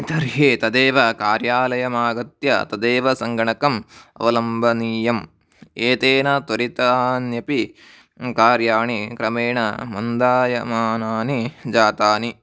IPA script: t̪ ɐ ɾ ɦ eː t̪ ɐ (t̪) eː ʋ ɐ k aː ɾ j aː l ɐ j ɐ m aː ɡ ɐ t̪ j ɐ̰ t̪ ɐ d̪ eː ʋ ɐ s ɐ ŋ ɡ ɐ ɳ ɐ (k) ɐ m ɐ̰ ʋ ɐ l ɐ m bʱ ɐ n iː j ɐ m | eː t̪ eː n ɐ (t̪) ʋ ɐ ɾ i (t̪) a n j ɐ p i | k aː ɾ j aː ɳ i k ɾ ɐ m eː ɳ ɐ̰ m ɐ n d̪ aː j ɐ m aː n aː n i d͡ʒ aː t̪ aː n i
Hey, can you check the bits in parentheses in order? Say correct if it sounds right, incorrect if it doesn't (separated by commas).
incorrect, correct, correct, correct